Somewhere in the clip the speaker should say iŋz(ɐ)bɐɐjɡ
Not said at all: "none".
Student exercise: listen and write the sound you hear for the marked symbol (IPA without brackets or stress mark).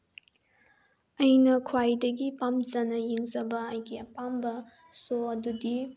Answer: ɐ